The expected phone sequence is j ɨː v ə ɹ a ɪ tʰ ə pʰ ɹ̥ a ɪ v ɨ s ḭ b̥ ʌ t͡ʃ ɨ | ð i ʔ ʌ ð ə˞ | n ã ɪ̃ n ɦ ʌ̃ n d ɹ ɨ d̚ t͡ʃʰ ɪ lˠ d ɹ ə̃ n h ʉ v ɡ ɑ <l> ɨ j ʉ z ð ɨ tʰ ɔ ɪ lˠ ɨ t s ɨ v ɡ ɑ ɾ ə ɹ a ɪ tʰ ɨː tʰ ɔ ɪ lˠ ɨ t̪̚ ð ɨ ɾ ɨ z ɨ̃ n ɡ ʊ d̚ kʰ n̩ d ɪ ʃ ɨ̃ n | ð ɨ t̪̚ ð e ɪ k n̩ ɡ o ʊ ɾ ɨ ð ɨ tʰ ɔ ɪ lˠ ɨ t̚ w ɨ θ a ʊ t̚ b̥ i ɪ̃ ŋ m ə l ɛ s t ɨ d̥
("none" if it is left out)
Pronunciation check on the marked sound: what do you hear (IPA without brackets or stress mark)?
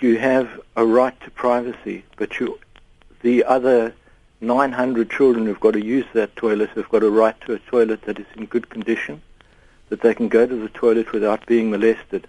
ɾ